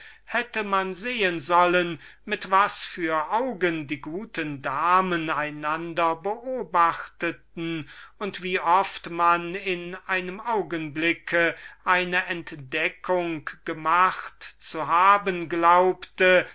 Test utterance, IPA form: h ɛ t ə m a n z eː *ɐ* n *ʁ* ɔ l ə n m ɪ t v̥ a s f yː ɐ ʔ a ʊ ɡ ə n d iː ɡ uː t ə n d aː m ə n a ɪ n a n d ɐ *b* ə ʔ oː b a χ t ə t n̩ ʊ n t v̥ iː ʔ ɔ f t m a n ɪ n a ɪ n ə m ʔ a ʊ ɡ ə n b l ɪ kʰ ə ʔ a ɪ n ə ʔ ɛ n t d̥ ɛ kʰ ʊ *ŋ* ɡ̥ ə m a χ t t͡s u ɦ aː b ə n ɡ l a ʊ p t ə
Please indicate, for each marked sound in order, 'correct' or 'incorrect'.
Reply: incorrect: ə, incorrect: z, correct, correct

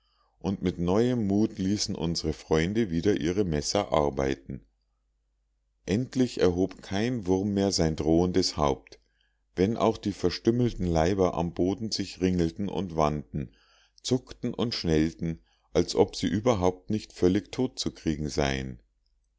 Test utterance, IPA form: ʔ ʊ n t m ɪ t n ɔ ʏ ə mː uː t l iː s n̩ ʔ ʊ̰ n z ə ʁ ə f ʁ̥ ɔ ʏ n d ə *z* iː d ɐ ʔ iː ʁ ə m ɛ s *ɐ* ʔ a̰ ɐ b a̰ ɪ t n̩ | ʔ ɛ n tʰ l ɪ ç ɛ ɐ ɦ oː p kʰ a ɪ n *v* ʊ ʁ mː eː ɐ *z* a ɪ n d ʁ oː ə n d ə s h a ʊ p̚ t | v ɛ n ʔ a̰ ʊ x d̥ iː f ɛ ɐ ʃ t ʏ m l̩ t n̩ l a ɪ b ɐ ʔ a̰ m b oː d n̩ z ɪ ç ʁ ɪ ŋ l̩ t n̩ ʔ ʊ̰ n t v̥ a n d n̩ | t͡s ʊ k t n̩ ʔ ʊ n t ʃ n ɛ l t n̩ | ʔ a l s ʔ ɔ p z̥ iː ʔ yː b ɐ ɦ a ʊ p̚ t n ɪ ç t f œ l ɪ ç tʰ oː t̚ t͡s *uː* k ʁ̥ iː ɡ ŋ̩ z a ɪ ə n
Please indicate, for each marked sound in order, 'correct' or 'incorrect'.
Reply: incorrect: v, correct, correct, correct, incorrect: u

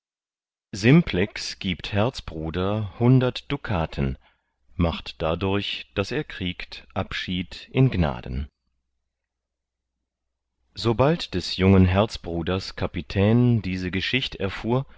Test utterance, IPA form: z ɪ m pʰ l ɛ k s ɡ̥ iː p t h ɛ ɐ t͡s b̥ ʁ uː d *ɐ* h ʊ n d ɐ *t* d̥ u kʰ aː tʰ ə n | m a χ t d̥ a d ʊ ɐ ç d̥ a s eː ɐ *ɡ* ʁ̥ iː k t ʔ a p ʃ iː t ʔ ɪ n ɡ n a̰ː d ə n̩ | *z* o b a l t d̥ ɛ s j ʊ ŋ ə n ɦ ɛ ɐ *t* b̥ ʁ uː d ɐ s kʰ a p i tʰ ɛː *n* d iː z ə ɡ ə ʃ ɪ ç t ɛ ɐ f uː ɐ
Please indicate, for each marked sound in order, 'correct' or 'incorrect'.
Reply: correct, correct, incorrect: k, correct, incorrect: t͡s, correct

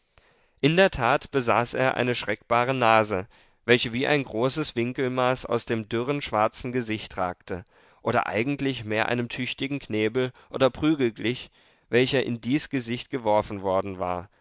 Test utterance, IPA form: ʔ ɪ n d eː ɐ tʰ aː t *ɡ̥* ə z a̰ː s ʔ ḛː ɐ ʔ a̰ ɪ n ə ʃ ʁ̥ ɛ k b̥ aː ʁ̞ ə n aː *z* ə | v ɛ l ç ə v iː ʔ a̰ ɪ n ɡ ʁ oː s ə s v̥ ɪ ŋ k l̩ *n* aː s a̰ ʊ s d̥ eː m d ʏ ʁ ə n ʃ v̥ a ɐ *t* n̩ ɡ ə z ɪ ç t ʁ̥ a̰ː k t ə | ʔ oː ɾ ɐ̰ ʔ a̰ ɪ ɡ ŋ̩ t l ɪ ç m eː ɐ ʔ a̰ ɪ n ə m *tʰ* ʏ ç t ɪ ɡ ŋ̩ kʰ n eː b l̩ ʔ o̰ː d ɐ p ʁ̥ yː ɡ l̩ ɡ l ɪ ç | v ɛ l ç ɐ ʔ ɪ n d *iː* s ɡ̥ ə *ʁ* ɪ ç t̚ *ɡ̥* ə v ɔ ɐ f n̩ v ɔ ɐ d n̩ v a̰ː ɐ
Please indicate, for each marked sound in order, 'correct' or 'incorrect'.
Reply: incorrect: b̥, correct, incorrect: m, incorrect: t͡s, correct, correct, incorrect: z, correct

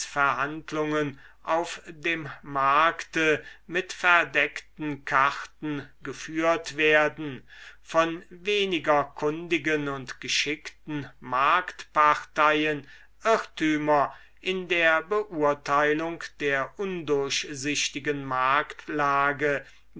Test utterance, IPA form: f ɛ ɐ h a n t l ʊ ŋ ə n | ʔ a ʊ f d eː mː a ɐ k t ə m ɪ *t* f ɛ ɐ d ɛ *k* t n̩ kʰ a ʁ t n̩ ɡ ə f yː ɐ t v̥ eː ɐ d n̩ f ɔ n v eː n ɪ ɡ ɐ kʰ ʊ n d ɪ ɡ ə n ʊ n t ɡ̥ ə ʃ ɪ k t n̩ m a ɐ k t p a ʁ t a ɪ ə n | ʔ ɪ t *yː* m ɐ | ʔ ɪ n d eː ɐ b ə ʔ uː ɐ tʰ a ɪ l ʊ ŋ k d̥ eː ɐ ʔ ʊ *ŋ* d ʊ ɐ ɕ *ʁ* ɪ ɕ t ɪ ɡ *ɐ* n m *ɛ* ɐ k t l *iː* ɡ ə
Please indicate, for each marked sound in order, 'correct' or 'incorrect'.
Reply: correct, correct, correct, incorrect: n, incorrect: z, incorrect: ə, incorrect: a, incorrect: aː

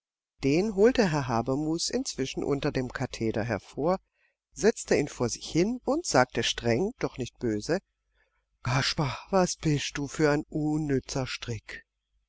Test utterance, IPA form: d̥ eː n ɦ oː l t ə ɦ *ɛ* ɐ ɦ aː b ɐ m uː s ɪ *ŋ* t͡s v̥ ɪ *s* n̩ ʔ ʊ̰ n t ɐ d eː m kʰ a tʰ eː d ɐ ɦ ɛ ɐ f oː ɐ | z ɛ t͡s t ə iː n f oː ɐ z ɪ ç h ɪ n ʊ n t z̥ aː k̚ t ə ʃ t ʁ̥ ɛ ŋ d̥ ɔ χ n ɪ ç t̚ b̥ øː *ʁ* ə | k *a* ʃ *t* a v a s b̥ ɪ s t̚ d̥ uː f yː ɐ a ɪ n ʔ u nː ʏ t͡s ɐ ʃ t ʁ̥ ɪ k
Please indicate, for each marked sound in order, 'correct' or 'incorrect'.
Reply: correct, incorrect: n, incorrect: ʃ, incorrect: z, correct, incorrect: p

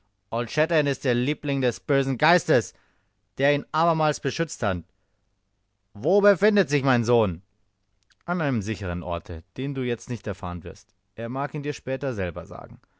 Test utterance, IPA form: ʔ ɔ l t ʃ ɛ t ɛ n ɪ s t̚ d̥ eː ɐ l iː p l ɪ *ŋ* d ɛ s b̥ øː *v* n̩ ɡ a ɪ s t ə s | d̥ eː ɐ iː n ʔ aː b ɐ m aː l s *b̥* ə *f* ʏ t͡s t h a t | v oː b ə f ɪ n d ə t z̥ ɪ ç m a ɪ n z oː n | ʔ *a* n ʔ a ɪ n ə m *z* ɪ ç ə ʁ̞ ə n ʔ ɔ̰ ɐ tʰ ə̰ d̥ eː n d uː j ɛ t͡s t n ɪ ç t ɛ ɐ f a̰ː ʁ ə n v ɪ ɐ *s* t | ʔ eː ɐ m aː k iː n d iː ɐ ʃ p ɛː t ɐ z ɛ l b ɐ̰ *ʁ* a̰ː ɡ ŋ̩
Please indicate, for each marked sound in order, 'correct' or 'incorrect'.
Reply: correct, incorrect: z, correct, incorrect: ʃ, correct, correct, correct, incorrect: z

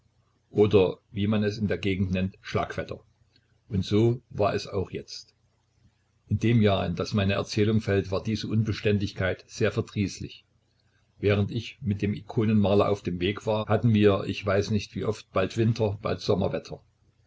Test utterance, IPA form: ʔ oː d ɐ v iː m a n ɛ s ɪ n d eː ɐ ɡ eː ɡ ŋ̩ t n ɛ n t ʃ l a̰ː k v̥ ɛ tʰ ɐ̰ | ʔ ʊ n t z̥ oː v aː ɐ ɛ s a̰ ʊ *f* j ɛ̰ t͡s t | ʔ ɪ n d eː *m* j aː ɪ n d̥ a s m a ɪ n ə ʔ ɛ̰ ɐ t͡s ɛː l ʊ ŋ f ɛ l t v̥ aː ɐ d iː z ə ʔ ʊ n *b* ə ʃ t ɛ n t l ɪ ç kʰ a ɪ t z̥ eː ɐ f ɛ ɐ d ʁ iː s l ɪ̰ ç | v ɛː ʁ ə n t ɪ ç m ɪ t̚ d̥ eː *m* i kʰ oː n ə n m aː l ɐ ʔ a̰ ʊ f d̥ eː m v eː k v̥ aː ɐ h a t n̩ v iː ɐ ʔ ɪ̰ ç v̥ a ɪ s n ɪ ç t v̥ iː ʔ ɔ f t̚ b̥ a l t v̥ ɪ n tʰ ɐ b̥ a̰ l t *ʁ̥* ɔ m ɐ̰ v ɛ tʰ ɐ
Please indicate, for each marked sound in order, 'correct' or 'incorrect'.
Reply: incorrect: x, correct, correct, correct, incorrect: z̥

